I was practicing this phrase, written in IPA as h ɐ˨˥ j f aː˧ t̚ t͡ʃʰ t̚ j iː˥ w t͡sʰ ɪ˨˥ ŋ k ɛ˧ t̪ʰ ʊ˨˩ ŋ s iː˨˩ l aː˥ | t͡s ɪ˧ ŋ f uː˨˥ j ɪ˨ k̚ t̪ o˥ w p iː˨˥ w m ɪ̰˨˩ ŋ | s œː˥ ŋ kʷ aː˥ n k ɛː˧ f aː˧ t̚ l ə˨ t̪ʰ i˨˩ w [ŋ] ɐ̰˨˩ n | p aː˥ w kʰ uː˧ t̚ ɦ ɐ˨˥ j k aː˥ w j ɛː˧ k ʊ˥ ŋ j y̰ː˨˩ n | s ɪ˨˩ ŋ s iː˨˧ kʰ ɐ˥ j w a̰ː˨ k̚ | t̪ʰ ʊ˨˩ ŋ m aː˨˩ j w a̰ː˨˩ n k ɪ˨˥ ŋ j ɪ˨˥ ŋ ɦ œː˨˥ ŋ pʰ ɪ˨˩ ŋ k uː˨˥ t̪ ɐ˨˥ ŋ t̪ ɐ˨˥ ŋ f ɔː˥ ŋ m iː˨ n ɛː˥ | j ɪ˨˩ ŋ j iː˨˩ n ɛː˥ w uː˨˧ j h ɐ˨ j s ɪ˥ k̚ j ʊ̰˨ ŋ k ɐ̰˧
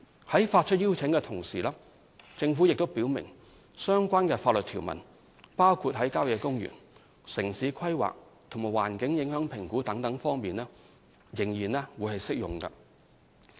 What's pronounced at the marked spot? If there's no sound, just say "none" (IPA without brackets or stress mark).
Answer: m